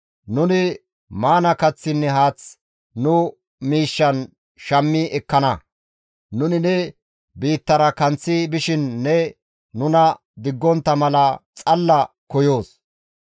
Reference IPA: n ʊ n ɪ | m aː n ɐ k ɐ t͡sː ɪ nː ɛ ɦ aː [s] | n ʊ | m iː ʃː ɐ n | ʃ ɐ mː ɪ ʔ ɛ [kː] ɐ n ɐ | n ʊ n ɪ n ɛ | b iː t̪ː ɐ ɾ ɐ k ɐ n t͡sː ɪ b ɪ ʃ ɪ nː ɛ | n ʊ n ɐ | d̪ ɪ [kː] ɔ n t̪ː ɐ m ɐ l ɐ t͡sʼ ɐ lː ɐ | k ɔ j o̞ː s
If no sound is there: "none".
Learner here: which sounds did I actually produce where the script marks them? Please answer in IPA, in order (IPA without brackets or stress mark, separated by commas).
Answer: t͡s, kː, ɡː